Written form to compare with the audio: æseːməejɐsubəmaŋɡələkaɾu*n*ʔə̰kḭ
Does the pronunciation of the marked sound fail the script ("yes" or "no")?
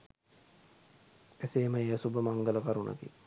no